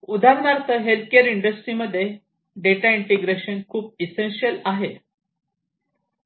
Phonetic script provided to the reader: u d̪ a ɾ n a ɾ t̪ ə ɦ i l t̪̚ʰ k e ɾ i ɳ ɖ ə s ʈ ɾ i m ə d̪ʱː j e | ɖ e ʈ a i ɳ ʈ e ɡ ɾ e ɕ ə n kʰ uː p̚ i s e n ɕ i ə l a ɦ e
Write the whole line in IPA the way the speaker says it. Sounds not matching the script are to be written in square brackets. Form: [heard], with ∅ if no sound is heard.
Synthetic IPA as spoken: u d̪ a ɾ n a ɾ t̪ ə ɦ [e] l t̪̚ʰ k e ɾ i ɳ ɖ ə s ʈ ɾ i m ə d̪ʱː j e | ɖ e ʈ a i ɳ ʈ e ɡ ɾ e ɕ ə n kʰ uː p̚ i s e n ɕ i ə l a ɦ e